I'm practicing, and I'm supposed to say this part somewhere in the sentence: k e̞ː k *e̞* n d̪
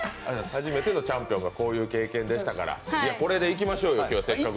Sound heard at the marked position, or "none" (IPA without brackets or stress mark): ẽ̞